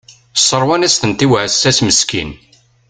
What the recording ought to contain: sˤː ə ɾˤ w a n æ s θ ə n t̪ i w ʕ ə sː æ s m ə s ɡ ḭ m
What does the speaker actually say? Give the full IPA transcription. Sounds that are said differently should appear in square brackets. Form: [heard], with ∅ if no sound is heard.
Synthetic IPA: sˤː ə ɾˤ w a n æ s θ ə n t̪ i w ʕ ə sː æ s m ə s [k] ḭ [n]